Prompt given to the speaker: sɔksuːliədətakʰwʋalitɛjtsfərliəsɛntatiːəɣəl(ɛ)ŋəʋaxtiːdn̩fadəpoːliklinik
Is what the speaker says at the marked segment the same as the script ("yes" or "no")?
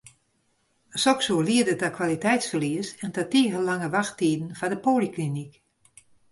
no